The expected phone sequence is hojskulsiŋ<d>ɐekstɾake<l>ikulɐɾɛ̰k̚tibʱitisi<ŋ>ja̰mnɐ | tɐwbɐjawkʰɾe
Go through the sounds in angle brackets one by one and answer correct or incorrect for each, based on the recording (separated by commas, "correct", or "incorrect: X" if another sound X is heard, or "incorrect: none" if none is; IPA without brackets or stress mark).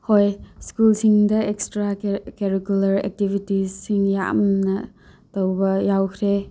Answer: correct, incorrect: ɾ, correct